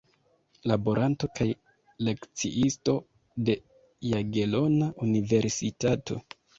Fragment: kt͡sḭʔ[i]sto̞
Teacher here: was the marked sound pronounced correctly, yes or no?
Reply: yes